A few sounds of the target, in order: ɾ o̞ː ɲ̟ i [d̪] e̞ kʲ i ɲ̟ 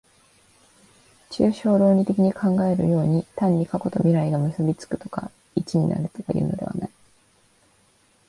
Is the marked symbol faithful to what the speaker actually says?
no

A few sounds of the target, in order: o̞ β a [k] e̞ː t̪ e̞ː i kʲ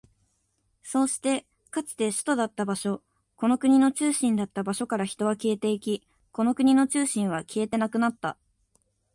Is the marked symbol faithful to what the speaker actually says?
yes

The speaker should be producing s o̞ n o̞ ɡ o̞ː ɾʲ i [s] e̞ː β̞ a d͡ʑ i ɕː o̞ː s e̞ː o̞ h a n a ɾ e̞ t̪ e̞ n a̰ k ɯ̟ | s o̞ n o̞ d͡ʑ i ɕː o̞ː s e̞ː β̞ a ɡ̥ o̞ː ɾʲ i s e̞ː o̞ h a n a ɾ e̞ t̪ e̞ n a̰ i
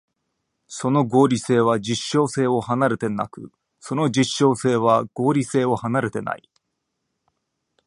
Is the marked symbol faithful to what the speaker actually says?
yes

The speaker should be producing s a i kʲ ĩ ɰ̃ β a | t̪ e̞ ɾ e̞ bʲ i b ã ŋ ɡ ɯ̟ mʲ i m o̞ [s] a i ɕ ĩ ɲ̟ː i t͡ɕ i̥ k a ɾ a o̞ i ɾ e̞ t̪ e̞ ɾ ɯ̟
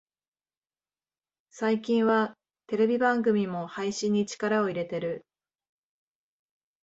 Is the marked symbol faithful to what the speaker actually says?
no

